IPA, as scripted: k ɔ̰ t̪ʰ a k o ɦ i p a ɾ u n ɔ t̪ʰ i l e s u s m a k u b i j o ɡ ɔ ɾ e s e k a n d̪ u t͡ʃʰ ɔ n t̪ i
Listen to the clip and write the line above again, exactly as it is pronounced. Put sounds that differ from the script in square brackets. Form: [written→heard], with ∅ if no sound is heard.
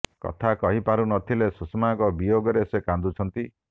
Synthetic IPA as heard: k ɔ̰ t̪ʰ a k [o→ɔ] ɦ i p a ɾ u n ɔ t̪ʰ i l e s u s m a k [u→ɔ] b i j o ɡ ɔ ɾ e s e k a n d̪ u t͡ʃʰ ɔ n t̪ i